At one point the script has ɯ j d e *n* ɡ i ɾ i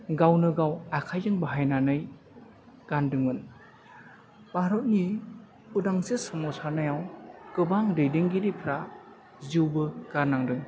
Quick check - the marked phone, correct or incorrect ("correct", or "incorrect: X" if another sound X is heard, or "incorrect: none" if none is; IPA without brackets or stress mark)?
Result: incorrect: ŋ